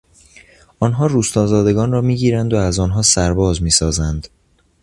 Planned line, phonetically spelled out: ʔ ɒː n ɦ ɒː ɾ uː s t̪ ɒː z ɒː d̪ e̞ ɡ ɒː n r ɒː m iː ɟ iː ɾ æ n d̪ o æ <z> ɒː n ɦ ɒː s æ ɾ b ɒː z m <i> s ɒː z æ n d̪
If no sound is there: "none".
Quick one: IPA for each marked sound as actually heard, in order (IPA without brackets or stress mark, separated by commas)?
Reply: z, iː